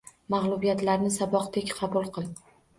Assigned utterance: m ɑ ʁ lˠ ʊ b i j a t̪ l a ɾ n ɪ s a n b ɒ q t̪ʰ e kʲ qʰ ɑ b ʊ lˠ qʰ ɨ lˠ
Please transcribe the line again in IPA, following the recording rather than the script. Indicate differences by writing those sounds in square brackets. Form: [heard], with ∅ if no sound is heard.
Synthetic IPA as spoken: m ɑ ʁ lˠ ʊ b i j a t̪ l a ɾ n ɪ s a [∅] b ɒ q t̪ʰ e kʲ qʰ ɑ b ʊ lˠ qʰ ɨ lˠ